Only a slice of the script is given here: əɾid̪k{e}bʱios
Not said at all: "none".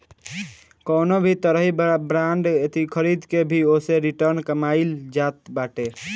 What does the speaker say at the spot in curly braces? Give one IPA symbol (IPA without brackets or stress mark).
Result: e